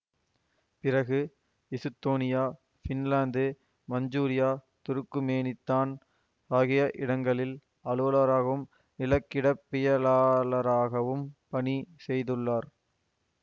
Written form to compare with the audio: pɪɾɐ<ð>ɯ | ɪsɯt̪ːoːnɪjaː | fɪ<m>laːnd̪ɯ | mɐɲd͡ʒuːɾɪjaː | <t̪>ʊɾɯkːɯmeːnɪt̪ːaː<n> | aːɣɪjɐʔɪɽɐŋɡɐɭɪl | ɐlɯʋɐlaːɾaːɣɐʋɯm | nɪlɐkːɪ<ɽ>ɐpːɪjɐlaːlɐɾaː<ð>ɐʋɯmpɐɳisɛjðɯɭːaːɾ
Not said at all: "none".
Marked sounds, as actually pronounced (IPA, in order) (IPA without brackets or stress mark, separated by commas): ɣ, n, t̪, n, ɽ, ɣ